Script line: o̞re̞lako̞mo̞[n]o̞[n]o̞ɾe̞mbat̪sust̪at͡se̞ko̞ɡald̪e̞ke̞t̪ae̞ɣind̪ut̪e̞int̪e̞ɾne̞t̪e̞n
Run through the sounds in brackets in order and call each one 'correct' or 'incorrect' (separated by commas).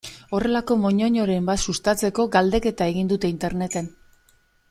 incorrect, incorrect